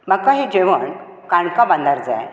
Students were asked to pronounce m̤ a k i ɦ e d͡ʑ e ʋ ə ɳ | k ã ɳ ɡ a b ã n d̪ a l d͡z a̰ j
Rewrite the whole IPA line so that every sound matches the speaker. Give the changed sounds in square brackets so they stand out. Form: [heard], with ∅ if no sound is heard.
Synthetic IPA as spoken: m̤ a k [a] ɦ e d͡ʑ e ʋ ə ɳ | k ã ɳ [k] a b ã n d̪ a [ɾ] d͡z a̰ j